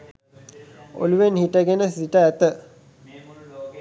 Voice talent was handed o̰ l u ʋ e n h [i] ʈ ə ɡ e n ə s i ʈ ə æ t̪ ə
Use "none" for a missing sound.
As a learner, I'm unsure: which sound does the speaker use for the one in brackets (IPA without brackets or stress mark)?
i